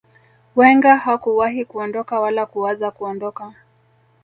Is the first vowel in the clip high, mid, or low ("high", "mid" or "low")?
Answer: mid